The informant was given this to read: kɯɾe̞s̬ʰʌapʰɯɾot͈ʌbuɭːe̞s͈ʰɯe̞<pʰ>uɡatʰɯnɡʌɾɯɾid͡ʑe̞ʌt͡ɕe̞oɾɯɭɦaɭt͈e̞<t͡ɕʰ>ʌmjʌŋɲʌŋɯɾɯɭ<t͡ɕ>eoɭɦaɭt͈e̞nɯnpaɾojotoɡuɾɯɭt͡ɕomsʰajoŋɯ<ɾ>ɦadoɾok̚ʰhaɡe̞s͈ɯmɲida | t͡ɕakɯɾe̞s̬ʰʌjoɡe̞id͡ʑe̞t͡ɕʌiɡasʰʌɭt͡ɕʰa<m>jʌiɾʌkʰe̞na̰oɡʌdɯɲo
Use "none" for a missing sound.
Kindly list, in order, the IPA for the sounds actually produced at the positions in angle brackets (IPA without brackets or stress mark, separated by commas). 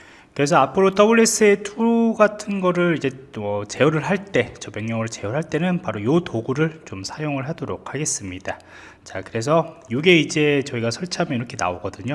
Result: tʰ, t͡ɕ, t͡ɕ, ɭ, m